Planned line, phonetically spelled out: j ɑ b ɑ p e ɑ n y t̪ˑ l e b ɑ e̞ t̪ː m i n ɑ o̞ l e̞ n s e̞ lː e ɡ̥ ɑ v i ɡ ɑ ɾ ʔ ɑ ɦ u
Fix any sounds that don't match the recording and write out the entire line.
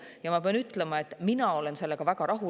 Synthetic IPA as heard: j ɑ m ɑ p e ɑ n y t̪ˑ l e m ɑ e̞ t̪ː m i n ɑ o̞ l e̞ n s e̞ lː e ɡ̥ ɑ v æ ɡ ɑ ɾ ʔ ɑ ɦ u